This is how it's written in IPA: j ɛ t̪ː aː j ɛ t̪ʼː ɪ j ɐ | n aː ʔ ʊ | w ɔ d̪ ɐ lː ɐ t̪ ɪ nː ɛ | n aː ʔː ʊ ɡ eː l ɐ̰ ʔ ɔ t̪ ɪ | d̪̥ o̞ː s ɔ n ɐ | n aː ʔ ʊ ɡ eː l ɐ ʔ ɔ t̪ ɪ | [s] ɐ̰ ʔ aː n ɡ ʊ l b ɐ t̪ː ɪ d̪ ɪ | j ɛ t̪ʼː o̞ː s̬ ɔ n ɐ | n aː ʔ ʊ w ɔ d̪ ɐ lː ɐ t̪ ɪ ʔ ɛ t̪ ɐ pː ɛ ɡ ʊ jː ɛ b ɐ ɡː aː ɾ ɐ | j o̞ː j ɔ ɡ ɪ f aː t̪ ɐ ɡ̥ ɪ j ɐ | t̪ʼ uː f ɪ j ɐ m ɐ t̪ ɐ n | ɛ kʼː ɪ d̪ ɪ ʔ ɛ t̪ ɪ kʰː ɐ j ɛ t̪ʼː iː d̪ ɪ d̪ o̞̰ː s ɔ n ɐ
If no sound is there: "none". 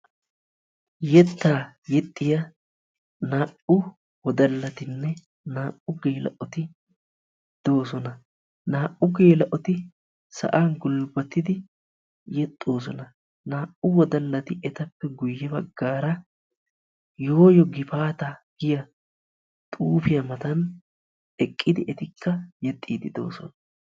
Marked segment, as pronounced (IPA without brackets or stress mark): s